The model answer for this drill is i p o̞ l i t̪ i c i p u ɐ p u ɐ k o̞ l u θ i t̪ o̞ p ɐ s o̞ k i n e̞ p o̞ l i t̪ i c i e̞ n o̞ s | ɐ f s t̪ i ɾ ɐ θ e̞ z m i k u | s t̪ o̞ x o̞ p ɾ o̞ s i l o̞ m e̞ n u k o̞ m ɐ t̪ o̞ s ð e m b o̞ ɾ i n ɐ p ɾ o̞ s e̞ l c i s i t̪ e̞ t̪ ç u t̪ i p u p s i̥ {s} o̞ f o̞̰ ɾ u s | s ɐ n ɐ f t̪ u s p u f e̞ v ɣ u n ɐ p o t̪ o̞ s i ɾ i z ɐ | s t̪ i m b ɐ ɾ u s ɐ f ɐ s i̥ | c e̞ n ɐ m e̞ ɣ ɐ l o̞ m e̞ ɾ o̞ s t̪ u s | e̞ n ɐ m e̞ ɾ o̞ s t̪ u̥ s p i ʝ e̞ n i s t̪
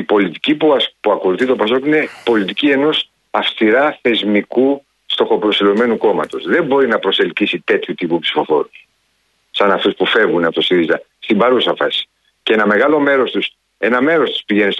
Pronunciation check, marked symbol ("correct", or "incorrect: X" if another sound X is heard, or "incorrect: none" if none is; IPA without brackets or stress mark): incorrect: f